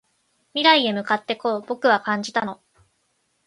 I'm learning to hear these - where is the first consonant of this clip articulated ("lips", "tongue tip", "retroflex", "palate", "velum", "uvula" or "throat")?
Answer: lips